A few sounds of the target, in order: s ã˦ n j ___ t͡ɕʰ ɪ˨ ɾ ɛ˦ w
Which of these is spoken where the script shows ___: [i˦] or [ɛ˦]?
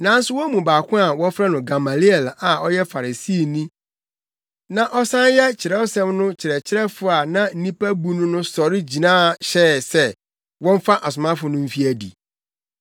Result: ɛ˦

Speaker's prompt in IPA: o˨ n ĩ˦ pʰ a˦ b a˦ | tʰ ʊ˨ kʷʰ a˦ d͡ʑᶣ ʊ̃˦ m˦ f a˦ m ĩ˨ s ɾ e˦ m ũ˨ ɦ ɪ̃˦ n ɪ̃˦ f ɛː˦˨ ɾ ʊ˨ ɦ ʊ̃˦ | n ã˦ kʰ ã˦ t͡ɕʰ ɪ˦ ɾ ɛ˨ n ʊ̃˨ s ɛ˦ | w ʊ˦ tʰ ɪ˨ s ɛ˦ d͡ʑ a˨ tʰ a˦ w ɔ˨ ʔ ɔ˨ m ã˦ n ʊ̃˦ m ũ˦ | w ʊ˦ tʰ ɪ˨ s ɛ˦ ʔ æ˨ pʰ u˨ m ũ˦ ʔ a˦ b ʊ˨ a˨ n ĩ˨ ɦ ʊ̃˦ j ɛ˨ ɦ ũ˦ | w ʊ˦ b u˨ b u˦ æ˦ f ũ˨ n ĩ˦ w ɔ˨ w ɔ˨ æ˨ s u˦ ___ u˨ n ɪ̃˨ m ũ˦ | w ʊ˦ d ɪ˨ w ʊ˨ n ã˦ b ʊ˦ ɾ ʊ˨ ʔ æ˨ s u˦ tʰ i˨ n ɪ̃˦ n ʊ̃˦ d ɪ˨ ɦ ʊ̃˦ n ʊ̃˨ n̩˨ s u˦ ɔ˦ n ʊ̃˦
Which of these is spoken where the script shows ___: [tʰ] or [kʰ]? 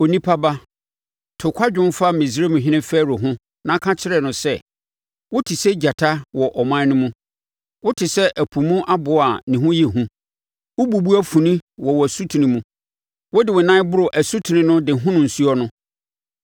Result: tʰ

